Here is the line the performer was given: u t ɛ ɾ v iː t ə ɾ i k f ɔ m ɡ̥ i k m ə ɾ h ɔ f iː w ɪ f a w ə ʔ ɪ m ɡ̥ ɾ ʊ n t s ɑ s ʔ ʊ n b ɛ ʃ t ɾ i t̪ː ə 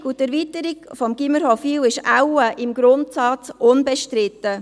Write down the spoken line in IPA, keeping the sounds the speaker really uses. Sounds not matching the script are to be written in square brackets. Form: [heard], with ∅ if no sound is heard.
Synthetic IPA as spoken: u t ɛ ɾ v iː t ə ɾ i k f ɔ m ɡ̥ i [∅] m ə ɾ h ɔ f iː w ɪ [ʃ] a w ə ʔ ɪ m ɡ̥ ɾ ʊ n t s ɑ [t͡s] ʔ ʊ n b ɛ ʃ t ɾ [ɪ] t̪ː ə

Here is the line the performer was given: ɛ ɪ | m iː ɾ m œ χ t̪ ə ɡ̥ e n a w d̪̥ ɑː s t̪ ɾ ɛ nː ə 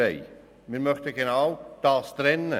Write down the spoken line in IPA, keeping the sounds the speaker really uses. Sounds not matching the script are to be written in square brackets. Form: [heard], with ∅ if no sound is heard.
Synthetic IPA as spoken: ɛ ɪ | m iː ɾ m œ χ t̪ ə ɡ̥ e n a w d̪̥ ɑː s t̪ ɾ ɛ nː ə

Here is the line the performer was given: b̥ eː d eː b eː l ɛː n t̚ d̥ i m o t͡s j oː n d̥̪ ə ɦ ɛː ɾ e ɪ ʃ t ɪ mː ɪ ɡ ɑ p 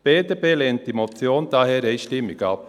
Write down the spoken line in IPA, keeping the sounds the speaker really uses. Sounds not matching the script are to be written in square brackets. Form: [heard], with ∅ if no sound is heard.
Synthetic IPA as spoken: b̥ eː d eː b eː l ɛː n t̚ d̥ i m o t͡s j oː n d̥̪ [ɑ] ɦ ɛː ɾ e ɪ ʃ t ɪ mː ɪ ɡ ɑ p

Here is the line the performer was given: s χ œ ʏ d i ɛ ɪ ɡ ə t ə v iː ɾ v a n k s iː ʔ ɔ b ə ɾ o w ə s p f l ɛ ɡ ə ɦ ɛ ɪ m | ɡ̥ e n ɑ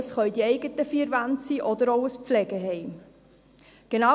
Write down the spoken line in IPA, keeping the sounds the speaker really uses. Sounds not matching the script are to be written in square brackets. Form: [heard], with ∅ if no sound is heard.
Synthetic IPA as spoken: s χ œ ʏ d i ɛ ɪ ɡ ə t ə [f] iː ɾ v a n [t] s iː ʔ ɔ [d] ə ɾ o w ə s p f l ɛ ɡ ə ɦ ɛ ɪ m | ɡ̥ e n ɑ

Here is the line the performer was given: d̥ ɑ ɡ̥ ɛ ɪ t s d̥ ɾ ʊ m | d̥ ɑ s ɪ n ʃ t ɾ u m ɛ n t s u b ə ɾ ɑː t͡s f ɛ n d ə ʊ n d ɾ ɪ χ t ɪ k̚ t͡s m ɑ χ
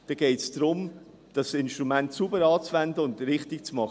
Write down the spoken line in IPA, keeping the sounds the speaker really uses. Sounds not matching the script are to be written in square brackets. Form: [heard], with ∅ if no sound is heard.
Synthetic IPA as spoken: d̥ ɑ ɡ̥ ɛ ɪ t s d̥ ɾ ʊ m | d̥ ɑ s ɪ n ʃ t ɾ u m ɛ n t s u b ə ɾ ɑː t͡s [v] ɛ n d ə ʊ n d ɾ ɪ χ t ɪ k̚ t͡s m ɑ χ

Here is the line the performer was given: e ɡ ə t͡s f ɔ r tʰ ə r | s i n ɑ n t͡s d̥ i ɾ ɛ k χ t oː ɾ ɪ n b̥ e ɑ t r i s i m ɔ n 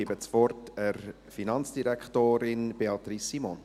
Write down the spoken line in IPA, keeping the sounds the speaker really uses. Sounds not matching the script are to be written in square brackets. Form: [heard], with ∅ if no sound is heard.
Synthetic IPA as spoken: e [b] ə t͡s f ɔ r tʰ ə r | [f] i n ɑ n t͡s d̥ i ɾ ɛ k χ t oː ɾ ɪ n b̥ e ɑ t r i s i m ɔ n

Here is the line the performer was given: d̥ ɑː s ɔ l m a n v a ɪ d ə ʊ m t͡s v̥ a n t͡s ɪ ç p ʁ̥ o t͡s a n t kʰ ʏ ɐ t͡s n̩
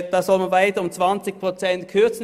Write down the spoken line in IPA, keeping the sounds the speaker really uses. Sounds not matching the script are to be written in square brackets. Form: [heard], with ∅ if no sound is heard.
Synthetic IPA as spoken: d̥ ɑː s ɔ l m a n v a ɪ [t] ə ʊ m t͡s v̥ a n t͡s ɪ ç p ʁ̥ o t͡s [ɛ] n t kʰ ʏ ɐ t͡s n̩

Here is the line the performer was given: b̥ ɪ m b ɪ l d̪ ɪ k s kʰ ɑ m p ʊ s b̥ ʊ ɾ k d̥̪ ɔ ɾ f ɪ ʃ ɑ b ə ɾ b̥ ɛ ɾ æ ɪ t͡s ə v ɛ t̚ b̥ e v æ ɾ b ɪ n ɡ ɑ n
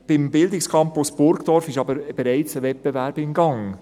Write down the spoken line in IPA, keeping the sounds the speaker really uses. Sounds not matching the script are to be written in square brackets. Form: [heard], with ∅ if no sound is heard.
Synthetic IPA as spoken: b̥ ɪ m b ɪ l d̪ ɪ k s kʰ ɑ m p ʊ s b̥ ʊ ɾ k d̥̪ ɔ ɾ f ɪ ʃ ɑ b ə ɾ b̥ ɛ ɾ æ ɪ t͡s ə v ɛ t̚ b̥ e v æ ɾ b ɪ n ɡ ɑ [ŋ]

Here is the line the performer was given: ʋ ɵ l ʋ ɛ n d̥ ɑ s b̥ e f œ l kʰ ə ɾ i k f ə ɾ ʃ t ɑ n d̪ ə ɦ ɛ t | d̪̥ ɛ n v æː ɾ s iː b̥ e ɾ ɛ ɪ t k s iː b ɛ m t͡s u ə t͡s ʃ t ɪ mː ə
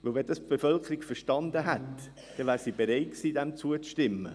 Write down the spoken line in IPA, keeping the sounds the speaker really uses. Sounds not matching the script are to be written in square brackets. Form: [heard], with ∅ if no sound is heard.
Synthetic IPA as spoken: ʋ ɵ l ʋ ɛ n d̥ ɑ s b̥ e f œ l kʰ ə ɾ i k f ə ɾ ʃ t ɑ n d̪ ə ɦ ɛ t | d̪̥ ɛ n v æː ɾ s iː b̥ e ɾ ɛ ɪ t k s iː [d] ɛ m t͡s u ə t͡s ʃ t ɪ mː ə

